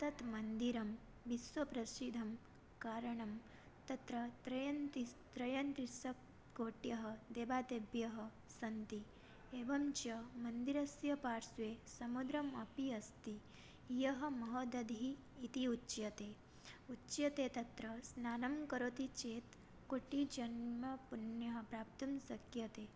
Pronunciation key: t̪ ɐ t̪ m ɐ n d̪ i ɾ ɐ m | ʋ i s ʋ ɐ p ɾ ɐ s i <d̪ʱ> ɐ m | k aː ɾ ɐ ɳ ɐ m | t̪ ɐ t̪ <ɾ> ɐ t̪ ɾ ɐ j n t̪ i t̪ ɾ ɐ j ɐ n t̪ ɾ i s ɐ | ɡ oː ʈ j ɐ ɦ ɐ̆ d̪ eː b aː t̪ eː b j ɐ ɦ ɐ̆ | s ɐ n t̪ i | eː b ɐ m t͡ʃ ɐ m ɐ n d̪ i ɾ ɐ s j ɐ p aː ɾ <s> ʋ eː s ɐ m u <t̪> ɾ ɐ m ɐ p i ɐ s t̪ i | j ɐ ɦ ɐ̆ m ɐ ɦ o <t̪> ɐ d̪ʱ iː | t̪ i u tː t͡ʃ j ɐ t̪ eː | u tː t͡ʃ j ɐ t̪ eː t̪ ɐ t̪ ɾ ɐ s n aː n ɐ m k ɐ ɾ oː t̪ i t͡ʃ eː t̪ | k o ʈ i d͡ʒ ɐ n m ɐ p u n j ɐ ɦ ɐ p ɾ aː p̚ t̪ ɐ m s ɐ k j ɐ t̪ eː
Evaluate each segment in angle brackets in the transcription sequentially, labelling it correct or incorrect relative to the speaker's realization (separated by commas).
correct, correct, correct, incorrect, incorrect